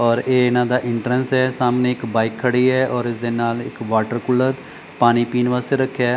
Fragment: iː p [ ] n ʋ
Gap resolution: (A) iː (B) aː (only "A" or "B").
A